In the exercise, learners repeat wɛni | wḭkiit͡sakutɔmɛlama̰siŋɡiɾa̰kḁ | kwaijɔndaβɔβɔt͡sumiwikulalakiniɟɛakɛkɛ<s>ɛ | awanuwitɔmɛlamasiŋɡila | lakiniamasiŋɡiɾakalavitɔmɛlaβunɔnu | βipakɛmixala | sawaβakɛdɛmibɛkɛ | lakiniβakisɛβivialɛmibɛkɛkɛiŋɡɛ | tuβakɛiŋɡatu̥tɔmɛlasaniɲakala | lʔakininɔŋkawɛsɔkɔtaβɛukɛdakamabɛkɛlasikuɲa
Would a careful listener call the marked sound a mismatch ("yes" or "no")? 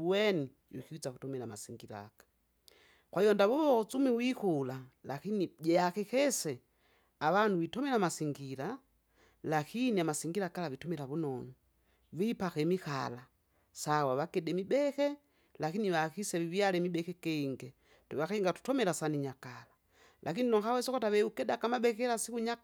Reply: no